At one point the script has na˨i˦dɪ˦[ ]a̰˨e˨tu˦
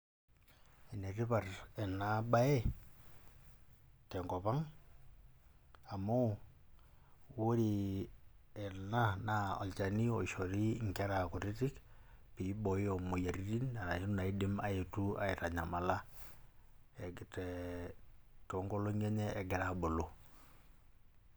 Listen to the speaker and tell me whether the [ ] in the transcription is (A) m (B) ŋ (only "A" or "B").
A